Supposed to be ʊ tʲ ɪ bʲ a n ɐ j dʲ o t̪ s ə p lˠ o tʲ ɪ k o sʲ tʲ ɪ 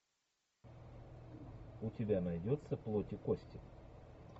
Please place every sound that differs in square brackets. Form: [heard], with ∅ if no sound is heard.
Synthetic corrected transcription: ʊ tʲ ɪ bʲ a n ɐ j dʲ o t̪ s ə p lˠ o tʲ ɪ k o sʲ tʲ ɪ